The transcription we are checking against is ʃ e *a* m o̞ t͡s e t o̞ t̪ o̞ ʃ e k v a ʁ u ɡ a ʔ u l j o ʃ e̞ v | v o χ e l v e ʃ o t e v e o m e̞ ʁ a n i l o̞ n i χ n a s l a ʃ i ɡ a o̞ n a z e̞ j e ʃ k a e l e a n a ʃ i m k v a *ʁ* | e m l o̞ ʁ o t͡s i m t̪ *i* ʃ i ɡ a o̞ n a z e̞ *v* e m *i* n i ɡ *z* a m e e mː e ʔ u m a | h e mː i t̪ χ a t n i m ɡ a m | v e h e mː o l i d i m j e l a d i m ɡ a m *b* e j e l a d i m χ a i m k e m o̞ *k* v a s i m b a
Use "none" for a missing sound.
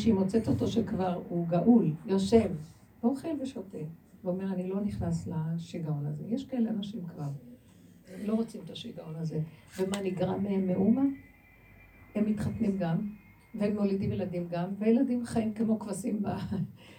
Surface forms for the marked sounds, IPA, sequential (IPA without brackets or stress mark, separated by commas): i, ʁ, a, v, a, ʁ, v, k